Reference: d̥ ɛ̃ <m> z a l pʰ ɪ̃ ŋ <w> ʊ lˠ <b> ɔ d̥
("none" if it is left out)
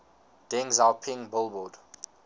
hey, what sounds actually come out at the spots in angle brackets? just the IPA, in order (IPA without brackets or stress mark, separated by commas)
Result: ŋ, b, b